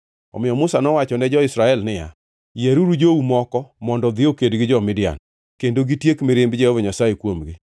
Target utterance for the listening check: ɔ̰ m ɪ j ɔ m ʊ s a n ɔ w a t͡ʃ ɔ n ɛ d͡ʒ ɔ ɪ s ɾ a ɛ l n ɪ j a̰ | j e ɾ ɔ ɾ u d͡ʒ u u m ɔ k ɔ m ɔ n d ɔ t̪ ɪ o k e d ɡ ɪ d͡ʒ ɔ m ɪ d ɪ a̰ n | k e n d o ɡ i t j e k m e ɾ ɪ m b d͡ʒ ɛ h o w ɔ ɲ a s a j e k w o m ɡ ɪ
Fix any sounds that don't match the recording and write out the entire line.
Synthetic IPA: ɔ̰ m ɪ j ɔ m ʊ s a n ɔ w a t͡ʃ ɔ n ɛ d͡ʒ ɔ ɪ s ɾ a ɛ l n ɪ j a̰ | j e ɾ u ɾ u d͡ʒ o u m ɔ k ɔ m ɔ n d ɔ d̪ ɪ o k e d ɡ ɪ d͡ʒ ɔ m ɪ d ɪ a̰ n | k e n d o ɡ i t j e k m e ɾ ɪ m b d͡ʒ ɛ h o v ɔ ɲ a s a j e k w o m ɡ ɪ